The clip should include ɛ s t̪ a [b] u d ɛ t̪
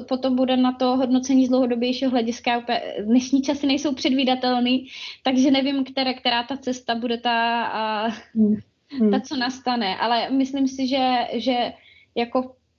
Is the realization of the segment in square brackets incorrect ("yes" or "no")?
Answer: no